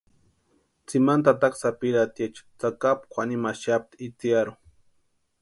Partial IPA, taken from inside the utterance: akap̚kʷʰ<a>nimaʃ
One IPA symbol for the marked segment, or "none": a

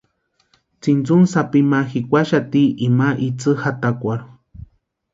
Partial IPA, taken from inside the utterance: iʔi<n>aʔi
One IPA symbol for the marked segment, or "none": m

